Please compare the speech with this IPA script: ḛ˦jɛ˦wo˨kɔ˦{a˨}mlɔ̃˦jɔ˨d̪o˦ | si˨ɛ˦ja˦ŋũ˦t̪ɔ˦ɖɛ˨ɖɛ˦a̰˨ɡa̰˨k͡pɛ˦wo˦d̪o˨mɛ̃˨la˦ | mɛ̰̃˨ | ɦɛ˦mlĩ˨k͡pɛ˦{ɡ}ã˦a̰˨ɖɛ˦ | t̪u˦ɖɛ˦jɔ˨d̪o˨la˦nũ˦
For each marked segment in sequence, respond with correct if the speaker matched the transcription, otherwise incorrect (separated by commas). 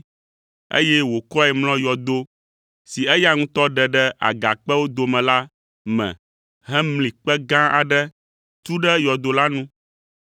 incorrect, correct